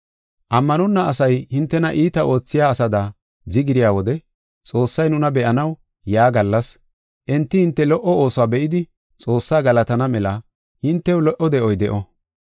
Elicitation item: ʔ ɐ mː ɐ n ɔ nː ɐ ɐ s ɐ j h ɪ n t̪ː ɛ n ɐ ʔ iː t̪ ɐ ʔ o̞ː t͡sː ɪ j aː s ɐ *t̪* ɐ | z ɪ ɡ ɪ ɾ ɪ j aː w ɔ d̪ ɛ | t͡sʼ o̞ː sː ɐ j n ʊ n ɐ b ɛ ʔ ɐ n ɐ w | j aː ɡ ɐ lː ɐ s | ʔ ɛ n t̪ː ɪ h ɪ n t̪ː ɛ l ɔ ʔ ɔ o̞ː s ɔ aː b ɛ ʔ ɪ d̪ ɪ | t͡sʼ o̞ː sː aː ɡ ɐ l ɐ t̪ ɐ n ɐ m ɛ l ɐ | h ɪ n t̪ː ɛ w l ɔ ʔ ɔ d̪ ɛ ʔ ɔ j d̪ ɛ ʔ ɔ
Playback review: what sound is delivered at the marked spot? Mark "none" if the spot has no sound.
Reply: d̪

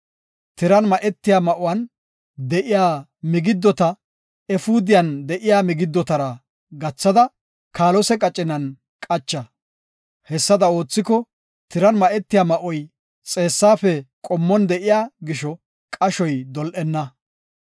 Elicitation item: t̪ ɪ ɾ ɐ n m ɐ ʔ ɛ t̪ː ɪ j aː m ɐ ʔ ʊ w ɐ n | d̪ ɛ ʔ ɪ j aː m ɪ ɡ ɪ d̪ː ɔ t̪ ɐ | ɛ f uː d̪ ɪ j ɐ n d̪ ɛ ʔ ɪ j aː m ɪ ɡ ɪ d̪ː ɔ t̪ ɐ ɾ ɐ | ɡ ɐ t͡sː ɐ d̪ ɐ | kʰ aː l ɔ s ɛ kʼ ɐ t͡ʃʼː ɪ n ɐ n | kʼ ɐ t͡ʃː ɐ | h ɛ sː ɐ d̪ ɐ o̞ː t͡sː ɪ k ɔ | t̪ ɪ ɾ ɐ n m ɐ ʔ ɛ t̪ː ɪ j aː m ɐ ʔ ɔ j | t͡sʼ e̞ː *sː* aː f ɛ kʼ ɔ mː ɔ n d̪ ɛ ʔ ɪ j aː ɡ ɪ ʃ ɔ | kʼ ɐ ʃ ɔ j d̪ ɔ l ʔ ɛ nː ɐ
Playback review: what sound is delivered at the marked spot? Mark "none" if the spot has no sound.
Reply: sː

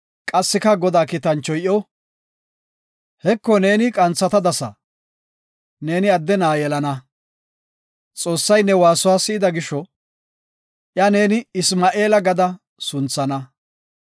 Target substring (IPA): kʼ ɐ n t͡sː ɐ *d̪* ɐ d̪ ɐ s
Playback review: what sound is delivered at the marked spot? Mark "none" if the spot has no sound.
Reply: t̪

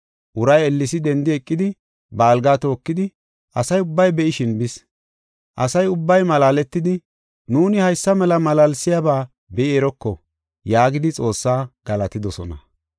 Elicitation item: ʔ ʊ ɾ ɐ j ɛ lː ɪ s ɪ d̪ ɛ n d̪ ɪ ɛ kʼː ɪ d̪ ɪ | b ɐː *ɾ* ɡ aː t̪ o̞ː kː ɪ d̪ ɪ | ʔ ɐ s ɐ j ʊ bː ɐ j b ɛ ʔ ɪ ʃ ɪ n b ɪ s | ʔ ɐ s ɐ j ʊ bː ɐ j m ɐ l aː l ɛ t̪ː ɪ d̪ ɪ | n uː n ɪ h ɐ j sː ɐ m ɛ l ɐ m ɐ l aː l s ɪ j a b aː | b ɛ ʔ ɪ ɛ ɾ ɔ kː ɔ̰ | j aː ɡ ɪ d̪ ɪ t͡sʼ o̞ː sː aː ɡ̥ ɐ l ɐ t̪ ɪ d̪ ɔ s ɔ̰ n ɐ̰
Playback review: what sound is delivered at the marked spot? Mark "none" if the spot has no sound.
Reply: l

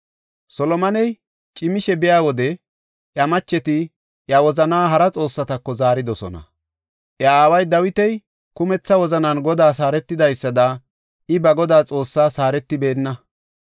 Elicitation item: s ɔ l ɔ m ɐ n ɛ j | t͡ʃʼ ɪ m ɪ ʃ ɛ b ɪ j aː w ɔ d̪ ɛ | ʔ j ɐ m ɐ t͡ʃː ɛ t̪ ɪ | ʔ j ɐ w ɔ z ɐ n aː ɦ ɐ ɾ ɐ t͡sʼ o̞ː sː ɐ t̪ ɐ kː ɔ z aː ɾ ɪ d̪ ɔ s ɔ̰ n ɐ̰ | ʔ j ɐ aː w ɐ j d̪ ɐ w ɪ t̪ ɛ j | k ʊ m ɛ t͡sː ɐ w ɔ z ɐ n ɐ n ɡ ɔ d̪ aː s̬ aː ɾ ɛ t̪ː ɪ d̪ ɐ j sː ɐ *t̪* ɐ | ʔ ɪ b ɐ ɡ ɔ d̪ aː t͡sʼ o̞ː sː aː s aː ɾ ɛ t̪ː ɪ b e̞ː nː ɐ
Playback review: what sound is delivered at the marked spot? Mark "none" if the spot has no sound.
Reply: d̪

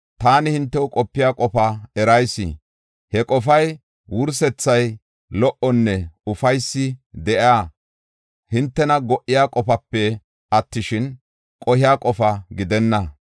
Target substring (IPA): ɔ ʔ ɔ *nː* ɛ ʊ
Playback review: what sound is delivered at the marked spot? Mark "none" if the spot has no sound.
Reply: nː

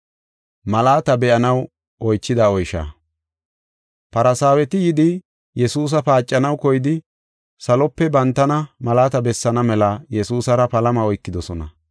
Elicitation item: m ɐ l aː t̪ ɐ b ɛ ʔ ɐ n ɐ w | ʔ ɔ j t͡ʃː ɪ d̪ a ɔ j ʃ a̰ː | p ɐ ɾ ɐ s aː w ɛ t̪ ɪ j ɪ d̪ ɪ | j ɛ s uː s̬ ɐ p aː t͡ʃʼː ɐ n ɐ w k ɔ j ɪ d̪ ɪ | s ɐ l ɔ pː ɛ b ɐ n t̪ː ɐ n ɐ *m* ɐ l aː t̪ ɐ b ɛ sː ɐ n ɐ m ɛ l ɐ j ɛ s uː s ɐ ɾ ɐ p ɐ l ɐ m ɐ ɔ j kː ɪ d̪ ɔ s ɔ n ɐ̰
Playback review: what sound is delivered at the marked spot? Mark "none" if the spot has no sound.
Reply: m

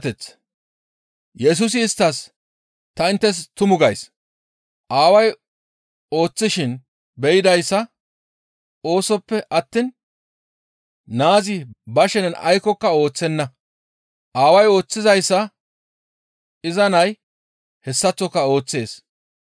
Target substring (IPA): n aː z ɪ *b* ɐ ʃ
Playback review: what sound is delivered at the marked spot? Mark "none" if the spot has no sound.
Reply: b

